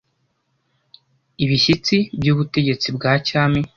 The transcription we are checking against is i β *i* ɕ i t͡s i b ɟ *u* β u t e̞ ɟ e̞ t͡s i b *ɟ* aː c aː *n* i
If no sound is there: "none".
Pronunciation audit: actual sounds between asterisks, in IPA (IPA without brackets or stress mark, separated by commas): i, uː, ɡ, m